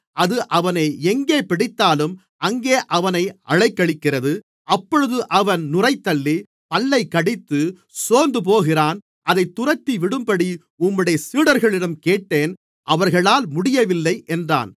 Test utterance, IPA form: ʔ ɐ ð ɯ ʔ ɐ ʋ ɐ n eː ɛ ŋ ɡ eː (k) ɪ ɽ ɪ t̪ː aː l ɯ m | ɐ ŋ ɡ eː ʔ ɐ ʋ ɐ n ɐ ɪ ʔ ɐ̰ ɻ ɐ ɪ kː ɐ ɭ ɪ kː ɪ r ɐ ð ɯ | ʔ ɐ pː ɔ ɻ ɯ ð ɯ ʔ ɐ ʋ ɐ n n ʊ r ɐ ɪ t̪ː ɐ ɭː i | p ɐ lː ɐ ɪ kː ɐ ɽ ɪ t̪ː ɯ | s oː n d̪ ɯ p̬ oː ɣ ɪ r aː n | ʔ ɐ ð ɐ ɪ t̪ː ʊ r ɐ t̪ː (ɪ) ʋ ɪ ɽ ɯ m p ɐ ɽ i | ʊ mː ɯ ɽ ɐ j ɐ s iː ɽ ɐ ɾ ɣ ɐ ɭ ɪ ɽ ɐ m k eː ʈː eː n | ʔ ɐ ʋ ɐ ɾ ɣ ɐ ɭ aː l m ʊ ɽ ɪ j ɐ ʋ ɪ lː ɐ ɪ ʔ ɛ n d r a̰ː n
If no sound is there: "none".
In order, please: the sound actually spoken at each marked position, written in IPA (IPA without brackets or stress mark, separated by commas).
p, i